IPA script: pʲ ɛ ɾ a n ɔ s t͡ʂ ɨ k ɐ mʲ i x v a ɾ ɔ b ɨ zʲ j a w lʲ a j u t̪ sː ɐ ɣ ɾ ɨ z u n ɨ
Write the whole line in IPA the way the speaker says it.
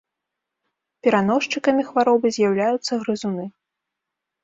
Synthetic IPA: pʲ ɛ ɾ a n ɔ ʂ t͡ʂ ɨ k ɐ mʲ i x v a ɾ ɔ b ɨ zʲ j a w lʲ a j u t̪ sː ɐ ɣ ɾ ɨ z u n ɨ